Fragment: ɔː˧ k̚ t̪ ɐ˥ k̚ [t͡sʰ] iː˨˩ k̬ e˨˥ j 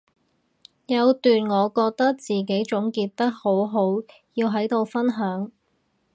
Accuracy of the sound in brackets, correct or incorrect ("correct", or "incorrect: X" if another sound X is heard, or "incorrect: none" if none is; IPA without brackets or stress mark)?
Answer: incorrect: t͡s